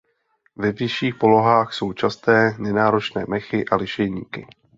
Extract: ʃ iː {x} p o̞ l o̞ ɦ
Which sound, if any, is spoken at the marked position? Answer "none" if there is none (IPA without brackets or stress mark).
x